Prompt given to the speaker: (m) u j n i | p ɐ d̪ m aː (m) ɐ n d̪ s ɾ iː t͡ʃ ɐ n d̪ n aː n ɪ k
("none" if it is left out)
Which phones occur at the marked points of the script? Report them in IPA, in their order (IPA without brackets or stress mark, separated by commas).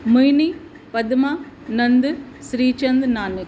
m, n